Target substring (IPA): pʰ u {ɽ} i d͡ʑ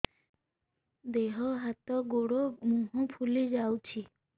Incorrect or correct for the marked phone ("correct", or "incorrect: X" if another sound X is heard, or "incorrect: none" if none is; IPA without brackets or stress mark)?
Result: incorrect: l